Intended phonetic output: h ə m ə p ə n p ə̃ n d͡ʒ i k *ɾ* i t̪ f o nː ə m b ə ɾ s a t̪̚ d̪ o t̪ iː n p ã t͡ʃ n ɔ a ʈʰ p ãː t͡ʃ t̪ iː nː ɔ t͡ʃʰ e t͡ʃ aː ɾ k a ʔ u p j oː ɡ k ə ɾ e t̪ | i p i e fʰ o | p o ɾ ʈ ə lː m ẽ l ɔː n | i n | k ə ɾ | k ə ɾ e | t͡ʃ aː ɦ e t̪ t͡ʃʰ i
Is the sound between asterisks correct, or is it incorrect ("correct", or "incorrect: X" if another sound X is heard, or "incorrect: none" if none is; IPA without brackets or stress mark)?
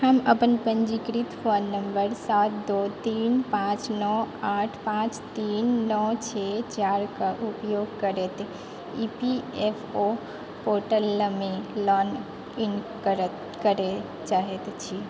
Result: correct